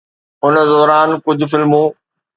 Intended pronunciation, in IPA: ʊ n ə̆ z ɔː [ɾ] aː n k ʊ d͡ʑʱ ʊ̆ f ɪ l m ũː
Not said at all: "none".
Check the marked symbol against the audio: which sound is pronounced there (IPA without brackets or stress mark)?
ɾ